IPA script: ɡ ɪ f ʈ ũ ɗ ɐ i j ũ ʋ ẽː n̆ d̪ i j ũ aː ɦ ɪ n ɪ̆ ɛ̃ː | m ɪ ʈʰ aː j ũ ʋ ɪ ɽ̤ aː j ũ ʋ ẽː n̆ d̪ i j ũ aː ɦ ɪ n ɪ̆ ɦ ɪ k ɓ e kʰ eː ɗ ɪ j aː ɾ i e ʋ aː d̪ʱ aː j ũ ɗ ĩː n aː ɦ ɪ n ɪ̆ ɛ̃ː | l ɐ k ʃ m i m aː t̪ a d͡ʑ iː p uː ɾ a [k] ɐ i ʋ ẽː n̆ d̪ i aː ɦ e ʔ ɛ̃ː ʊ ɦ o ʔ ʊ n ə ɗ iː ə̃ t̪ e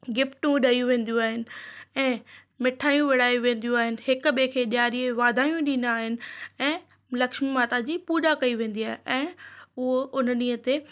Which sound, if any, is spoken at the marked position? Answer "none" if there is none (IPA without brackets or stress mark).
k